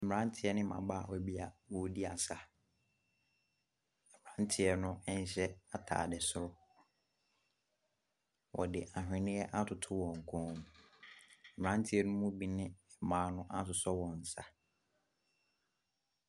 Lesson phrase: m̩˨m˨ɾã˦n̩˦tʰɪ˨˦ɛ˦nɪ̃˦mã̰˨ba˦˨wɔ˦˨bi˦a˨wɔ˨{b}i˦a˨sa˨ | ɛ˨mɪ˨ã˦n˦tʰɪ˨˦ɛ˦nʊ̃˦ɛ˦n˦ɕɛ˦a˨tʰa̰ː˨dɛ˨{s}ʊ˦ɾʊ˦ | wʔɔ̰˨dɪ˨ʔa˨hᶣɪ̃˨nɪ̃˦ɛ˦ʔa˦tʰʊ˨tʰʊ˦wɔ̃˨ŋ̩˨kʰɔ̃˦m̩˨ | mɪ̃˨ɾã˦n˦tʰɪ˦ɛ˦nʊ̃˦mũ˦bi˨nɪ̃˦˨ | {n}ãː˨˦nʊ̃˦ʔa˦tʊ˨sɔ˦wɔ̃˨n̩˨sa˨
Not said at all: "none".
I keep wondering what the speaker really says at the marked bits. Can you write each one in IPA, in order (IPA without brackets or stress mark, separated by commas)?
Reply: d, s, m